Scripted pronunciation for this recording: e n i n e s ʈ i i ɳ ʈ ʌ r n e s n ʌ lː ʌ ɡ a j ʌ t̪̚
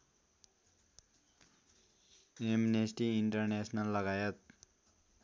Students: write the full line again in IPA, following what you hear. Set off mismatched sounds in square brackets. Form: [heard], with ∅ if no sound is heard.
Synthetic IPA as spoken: e [m] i n e s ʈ i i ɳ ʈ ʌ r n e s n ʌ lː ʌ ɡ a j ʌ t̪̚